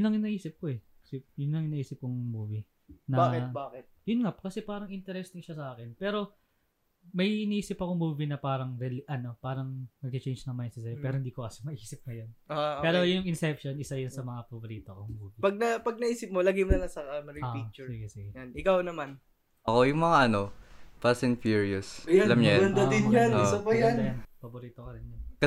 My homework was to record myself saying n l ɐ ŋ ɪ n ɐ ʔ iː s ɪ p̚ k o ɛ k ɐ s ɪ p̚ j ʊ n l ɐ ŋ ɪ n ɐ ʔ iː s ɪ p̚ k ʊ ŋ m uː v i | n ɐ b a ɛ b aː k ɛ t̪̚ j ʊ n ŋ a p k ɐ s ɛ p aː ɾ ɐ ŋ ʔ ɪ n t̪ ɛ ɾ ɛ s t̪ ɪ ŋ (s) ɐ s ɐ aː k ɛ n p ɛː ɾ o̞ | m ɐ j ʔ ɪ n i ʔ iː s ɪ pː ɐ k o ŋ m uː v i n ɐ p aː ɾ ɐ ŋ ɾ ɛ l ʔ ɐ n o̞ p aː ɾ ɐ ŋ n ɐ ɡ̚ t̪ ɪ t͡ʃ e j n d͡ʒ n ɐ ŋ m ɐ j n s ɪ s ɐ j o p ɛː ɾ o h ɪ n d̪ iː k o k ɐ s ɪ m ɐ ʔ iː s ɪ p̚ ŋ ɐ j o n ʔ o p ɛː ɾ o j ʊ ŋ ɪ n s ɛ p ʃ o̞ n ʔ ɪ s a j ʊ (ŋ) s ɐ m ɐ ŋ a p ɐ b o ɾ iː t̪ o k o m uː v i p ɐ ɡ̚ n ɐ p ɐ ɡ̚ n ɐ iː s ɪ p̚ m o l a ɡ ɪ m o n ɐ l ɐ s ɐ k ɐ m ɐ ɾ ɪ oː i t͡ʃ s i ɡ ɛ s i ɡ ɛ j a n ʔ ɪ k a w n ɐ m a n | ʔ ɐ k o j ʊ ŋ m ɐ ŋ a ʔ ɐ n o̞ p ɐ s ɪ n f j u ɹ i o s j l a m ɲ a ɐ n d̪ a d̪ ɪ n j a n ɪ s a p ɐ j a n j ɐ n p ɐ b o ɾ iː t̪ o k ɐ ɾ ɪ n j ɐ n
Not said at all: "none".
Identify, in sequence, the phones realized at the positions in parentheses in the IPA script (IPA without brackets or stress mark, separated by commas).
ʃ, n